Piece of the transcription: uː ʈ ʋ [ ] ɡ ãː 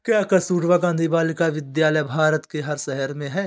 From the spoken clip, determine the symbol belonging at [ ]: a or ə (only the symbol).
a